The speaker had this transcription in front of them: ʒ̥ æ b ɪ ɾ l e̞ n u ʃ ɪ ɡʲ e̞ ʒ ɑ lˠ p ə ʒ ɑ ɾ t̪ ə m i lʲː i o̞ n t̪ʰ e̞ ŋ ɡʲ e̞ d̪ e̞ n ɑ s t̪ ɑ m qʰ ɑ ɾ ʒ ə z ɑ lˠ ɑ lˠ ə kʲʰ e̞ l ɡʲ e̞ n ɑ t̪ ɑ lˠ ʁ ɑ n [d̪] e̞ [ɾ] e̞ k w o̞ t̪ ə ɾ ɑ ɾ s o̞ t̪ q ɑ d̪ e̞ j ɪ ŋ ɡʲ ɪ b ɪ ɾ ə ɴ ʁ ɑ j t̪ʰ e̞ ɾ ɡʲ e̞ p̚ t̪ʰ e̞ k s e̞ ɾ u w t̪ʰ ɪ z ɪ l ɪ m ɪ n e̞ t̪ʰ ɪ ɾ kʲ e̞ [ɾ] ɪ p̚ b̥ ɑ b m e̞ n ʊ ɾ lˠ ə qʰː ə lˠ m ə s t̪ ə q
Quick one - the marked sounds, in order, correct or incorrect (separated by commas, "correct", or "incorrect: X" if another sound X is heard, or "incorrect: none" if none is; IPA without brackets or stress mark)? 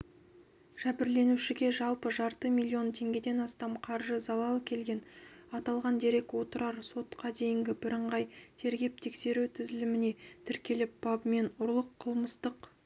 correct, correct, incorrect: l